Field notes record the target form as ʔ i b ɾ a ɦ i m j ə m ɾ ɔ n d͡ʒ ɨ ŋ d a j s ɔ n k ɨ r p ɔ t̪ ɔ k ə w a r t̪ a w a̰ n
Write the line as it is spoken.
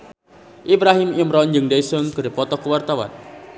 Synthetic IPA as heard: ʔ i b ɾ a ɦ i m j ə m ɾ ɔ n d͡ʒ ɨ ŋ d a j s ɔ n k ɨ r p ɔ t̪ ɔ k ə w a r t̪ a w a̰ n